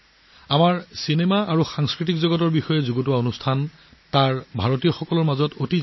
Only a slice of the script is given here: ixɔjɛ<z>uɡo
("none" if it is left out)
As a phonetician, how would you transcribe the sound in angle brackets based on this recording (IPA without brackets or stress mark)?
z